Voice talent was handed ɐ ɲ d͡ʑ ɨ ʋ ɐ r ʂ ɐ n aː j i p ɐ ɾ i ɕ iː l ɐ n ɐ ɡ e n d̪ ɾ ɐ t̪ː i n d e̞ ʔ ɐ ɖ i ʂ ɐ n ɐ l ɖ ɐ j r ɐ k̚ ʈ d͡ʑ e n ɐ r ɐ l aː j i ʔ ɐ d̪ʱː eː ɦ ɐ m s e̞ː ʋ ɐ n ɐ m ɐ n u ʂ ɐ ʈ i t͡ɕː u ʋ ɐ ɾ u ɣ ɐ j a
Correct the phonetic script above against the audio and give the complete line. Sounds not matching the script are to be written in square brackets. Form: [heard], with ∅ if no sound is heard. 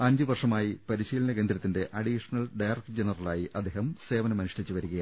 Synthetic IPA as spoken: ɐ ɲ d͡ʑ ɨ ʋ ɐ r ʂ ɐ [m] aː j i p ɐ ɾ i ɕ iː l ɐ n ɐ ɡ e n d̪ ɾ ɐ t̪ː i n d e̞ ʔ ɐ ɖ i ʂ ɐ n ɐ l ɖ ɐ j r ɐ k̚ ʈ d͡ʑ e n ɐ r ɐ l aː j i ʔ ɐ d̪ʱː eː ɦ ɐ m s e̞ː ʋ ɐ n ɐ m ɐ n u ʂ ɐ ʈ i t͡ɕː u ʋ ɐ ɾ u ɣ ɐ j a